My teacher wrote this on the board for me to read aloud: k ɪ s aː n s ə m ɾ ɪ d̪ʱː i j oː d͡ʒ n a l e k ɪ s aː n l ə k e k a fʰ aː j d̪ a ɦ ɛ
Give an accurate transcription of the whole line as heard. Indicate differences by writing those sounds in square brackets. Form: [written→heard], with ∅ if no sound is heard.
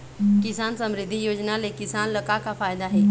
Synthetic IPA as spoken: k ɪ s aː n s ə m ɾ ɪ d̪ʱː i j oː d͡ʒ n a l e k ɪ s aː n l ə k [e→a] k a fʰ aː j d̪ a ɦ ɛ

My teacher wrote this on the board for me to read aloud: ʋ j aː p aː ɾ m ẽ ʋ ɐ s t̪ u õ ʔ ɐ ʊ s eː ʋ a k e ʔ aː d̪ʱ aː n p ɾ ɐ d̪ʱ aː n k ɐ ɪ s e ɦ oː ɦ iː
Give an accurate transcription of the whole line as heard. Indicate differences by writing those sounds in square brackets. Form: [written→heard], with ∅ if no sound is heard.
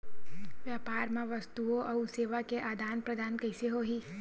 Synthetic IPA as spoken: ʋ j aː p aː ɾ m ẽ ʋ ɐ s t̪ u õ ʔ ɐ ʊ s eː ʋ a k e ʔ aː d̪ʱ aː n p ɾ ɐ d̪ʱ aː n k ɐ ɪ s e ɦ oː ɦ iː

